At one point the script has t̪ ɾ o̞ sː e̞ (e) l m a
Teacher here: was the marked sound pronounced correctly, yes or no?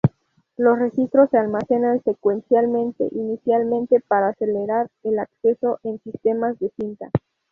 no